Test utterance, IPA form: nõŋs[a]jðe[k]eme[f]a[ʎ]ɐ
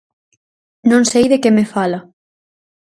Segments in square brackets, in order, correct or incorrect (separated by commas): incorrect, correct, correct, incorrect